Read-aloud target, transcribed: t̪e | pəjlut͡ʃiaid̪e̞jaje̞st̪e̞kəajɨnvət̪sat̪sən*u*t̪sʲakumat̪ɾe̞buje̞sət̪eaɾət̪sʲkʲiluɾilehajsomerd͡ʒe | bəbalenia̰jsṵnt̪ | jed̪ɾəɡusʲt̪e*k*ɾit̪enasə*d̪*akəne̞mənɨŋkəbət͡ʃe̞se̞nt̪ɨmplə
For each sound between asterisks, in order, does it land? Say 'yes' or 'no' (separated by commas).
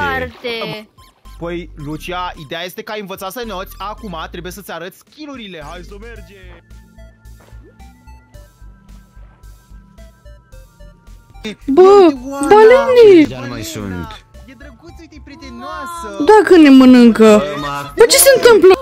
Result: no, no, yes